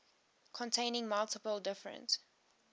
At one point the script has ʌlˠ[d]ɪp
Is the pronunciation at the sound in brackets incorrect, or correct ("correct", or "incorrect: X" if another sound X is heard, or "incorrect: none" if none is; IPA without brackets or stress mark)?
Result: incorrect: t